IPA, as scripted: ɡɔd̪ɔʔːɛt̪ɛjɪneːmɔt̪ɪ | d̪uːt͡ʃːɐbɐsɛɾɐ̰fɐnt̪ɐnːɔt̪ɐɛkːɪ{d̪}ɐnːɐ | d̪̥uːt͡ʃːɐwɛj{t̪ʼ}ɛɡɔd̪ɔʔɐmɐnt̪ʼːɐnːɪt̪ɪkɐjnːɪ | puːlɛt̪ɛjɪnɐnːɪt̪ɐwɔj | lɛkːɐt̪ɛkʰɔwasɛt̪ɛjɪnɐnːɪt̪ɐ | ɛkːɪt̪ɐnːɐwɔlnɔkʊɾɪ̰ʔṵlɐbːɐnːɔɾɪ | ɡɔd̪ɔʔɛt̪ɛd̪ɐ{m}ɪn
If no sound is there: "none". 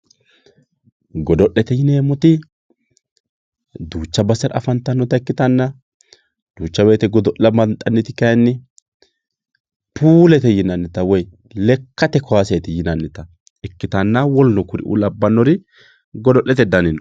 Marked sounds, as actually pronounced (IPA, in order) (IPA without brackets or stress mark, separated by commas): t̪, t̪, n